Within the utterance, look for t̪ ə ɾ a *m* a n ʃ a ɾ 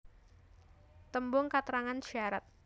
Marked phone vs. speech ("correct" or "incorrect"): incorrect